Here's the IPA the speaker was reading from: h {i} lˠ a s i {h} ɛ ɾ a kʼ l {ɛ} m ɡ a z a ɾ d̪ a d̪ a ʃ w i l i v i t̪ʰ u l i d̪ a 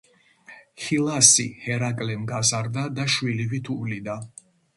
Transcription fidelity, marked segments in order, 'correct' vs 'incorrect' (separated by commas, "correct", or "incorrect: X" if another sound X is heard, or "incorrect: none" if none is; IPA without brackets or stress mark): correct, correct, correct